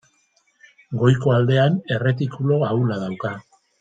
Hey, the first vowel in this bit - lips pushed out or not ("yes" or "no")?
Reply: yes